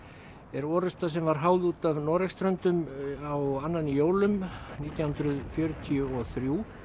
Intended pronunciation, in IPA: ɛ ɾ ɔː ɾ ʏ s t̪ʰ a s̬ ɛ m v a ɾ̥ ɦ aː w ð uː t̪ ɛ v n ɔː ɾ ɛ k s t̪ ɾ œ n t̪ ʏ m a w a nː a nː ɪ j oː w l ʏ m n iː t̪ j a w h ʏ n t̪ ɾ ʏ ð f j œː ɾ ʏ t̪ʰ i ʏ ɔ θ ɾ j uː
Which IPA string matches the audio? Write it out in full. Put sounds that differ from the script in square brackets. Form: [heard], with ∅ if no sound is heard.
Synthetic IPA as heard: ɛ ɾ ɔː ɾ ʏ s [t̪] a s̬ ɛ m v a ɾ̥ ɦ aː w ð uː t̪ [a] v n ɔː ɾ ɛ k s t̪ ɾ œ n t̪ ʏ m a w a nː a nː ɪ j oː w l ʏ m n iː t̪ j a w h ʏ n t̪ ɾ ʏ ð f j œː ɾ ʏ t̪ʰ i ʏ ɔ θ ɾ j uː